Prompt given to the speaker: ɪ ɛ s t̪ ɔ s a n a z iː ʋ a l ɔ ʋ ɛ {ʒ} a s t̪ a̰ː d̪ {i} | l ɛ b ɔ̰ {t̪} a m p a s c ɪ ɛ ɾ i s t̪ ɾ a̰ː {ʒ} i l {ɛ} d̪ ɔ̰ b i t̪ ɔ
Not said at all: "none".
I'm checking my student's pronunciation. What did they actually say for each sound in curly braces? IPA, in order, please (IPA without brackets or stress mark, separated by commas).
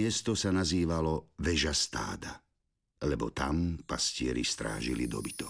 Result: ʒ, a, t̪, ʒ, i